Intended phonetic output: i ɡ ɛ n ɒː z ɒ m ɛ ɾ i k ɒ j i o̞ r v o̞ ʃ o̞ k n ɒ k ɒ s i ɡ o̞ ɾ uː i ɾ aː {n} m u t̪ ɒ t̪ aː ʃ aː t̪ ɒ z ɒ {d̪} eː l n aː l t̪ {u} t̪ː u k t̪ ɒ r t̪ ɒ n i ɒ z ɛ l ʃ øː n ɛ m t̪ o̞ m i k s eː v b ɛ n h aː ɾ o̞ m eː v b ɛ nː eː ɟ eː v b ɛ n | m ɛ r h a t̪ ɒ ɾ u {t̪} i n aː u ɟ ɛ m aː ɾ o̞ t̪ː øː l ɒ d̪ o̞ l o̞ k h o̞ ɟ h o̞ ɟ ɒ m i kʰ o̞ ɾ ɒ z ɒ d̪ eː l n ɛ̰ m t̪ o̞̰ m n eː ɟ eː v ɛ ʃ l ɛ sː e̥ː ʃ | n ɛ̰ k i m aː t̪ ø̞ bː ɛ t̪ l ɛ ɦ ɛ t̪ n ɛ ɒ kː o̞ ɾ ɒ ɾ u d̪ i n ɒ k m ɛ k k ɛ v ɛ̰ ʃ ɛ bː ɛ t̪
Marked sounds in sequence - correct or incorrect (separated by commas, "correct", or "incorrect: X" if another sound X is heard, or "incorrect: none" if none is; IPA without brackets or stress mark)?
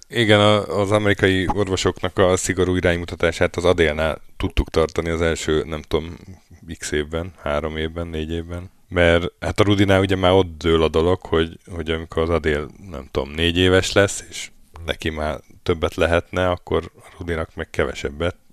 incorrect: ɲ, correct, correct, incorrect: d̪